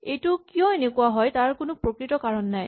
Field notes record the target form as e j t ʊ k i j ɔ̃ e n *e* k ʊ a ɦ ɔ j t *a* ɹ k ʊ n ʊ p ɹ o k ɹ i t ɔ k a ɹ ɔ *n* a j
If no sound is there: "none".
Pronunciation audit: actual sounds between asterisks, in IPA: e, a, nː

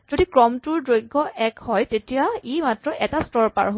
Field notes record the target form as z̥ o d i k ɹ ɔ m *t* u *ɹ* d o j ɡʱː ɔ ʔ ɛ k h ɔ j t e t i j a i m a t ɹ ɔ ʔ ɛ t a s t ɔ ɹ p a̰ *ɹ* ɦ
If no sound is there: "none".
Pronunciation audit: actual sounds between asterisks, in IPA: t, ɹ, ɹ

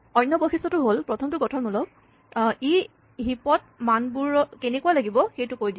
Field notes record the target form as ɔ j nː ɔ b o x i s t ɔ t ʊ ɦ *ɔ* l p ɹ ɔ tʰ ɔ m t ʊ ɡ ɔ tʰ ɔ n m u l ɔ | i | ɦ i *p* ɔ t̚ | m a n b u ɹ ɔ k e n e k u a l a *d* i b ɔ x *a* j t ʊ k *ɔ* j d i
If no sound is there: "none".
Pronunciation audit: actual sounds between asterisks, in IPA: o, p, ɡ, e, o

